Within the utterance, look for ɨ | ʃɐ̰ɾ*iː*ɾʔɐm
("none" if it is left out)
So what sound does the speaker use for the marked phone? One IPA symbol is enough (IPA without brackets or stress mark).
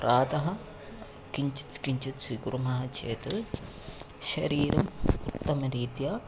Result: iː